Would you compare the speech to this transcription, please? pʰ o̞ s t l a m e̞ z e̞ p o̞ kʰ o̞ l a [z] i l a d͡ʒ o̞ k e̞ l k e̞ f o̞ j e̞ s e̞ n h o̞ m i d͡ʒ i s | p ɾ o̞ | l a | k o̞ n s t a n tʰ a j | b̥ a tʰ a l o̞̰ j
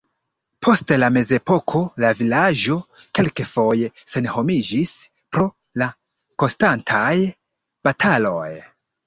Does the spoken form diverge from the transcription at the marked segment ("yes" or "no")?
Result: yes